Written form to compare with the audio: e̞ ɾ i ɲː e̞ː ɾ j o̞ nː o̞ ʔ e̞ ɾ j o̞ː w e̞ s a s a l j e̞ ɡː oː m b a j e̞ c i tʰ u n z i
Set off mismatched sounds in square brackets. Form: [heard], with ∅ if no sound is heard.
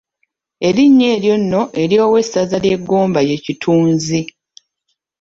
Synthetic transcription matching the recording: e̞ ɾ i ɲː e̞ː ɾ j o̞ nː o̞ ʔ e̞ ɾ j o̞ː w e̞ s a [z] a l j e̞ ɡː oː m b a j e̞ c i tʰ [uː] n z i